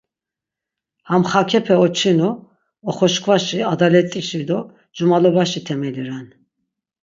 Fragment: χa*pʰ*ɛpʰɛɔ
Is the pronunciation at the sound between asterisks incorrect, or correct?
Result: incorrect